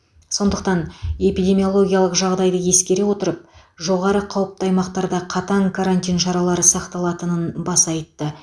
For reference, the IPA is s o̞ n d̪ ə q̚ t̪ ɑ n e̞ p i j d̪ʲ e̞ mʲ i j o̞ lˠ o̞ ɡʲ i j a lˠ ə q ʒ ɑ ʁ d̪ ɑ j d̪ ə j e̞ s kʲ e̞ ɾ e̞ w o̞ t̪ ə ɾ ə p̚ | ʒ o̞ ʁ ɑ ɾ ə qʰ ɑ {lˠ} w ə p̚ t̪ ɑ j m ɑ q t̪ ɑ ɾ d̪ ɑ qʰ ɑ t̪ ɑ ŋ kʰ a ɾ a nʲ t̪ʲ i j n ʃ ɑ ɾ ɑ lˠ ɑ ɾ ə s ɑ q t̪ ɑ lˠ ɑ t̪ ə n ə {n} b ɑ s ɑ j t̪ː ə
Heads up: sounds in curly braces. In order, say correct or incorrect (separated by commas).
incorrect, correct